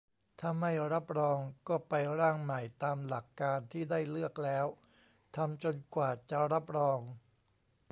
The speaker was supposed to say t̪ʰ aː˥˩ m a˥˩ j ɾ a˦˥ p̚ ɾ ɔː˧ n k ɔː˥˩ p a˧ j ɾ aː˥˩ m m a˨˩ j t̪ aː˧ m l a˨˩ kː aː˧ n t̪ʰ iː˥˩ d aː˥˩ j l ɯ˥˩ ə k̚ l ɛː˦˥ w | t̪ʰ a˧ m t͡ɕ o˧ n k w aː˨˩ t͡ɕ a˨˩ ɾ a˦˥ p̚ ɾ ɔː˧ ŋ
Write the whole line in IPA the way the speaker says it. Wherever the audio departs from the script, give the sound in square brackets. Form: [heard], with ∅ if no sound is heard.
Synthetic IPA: t̪ʰ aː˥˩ m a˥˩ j ɾ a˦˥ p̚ ɾ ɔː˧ [ŋ] k ɔː˥˩ p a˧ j ɾ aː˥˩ [ŋ] m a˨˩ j t̪ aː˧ m l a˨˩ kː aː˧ n t̪ʰ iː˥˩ d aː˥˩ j l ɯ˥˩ ə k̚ l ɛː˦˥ w | t̪ʰ a˧ m t͡ɕ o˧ n k w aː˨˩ t͡ɕ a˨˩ ɾ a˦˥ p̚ ɾ ɔː˧ ŋ